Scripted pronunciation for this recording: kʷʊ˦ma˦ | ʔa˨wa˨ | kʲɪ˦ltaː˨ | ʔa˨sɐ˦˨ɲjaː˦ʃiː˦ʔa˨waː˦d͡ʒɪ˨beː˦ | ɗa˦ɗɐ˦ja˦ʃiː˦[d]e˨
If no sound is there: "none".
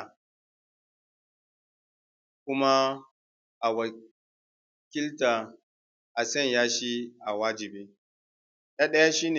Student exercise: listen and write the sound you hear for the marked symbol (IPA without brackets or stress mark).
n